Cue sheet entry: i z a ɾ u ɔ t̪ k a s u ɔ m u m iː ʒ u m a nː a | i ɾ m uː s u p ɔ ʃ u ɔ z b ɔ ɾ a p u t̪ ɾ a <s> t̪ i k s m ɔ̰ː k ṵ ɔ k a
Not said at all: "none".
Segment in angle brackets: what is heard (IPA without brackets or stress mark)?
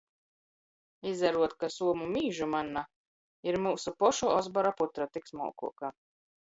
none